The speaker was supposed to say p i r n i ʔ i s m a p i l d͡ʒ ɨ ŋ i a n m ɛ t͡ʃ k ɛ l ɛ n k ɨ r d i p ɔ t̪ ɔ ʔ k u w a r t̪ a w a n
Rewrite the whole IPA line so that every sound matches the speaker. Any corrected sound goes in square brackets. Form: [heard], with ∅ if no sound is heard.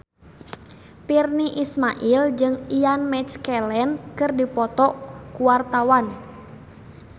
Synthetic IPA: p i r n i ʔ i s m a [ʔ] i l d͡ʒ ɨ ŋ i a n m ɛ t͡ʃ k ɛ l ɛ n k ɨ r d i p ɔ t̪ ɔ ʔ k u w a r t̪ a w a n